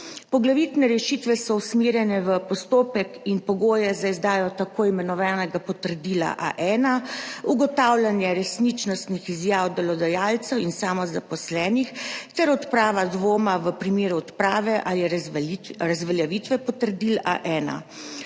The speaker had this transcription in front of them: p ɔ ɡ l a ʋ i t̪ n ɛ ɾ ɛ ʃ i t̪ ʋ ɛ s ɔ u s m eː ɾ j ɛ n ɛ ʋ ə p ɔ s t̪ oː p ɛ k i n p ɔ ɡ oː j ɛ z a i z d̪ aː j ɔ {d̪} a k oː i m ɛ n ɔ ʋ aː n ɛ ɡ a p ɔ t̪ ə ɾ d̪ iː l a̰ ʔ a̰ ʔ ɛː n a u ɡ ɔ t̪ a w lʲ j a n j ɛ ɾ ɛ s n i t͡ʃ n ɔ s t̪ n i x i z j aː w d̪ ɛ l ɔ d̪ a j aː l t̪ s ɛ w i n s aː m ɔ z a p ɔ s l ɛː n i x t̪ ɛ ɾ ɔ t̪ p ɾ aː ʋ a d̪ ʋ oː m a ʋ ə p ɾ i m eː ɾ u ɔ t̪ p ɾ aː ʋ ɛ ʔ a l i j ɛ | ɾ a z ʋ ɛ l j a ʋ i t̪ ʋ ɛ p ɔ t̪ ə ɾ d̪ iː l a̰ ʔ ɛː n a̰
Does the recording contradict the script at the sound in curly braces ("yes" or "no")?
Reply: yes